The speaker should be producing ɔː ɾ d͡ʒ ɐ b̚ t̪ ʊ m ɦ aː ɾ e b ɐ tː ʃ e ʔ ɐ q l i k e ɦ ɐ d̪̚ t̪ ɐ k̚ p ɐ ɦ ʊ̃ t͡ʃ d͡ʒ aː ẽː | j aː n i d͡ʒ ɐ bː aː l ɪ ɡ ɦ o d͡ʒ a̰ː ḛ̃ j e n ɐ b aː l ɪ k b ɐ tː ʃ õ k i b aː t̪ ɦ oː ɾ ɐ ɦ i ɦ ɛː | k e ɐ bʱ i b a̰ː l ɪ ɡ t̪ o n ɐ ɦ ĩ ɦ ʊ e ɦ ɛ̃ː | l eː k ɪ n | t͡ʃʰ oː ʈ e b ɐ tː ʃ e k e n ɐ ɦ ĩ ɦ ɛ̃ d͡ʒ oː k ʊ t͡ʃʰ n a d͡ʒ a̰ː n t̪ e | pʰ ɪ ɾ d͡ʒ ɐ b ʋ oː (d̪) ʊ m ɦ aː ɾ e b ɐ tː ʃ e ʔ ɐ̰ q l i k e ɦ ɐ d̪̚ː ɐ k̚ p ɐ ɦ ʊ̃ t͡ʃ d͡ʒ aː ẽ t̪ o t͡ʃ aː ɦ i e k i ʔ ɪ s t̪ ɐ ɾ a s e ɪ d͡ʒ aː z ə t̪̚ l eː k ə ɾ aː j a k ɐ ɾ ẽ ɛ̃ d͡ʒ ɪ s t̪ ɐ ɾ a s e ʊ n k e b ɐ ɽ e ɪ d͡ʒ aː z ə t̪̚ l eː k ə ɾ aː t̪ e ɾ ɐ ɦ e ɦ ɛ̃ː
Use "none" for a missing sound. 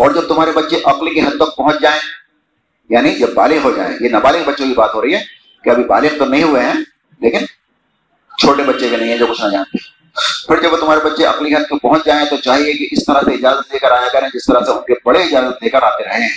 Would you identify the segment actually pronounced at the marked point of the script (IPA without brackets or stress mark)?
t̪